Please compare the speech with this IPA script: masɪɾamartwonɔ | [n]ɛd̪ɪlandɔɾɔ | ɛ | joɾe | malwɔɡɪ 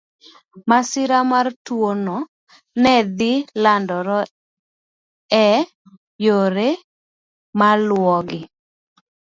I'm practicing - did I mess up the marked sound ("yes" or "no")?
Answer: no